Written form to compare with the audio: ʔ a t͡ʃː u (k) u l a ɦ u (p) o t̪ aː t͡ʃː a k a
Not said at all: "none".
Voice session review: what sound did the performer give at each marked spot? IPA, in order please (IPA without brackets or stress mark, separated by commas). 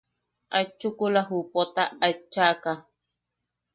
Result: k, p